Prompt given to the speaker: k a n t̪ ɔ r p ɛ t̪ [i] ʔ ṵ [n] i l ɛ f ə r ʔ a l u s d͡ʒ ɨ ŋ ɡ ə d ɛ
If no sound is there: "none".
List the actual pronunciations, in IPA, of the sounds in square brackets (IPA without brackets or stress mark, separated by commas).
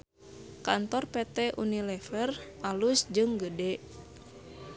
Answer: ɛ, n